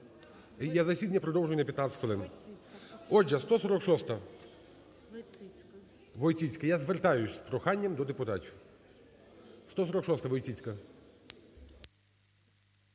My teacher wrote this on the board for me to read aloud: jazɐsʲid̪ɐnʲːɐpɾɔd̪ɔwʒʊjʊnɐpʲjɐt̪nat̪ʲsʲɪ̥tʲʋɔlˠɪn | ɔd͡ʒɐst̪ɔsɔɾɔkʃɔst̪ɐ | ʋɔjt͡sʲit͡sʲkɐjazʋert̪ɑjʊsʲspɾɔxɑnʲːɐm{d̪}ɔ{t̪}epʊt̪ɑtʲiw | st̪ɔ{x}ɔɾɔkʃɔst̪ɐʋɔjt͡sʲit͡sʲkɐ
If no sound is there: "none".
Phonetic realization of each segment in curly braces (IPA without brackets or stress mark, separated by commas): d̪, d̪, s